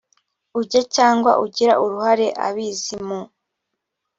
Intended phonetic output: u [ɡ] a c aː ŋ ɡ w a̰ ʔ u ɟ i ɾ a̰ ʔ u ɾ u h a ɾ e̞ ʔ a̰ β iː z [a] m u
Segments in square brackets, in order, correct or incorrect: incorrect: ɟ, incorrect: i

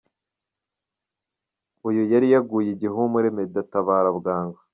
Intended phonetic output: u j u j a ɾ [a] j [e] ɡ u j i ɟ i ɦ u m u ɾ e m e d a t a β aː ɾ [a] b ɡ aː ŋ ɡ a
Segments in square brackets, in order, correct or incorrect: incorrect: i, incorrect: a, correct

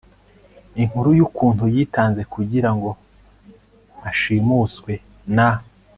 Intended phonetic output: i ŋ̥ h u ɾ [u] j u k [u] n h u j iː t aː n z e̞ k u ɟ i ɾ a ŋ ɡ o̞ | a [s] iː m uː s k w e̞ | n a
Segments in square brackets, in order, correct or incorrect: correct, incorrect: uː, incorrect: ʃ

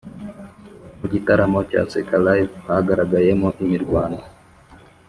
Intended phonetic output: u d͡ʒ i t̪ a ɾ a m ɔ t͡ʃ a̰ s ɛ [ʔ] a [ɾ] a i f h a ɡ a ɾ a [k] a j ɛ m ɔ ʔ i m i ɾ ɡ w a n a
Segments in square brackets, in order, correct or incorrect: incorrect: k, incorrect: l, incorrect: ɡ

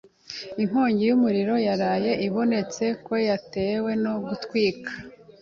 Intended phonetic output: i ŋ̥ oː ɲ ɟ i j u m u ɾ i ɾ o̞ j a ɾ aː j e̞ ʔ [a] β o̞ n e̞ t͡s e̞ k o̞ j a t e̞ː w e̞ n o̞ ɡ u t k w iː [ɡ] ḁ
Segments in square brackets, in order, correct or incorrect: incorrect: i, incorrect: k

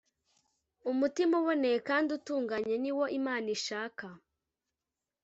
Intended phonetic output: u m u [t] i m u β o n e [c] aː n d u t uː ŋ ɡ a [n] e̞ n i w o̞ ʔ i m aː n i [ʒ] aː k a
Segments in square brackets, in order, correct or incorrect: correct, incorrect: k, incorrect: ɲ, incorrect: ʃ

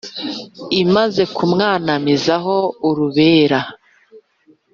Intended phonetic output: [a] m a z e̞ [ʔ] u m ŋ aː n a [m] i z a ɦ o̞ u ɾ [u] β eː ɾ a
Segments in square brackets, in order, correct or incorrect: incorrect: i, incorrect: k, correct, correct

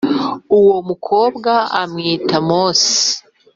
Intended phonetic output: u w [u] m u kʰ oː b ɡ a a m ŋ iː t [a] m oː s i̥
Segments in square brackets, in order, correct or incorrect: incorrect: o, correct

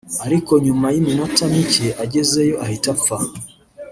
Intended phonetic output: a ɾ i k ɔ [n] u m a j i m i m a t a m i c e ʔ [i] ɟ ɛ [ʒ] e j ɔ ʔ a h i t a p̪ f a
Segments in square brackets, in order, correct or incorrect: incorrect: ɲ, incorrect: a, incorrect: z

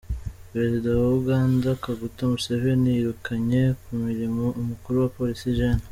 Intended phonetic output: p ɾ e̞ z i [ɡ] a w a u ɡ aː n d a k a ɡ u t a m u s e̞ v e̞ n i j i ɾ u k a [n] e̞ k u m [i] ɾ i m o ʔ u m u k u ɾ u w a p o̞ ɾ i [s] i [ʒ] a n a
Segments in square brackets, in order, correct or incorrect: incorrect: d, incorrect: ɲ, correct, correct, correct

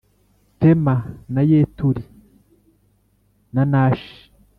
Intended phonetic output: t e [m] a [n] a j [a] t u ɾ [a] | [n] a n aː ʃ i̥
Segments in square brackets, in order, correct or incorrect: correct, correct, incorrect: e, incorrect: i, correct

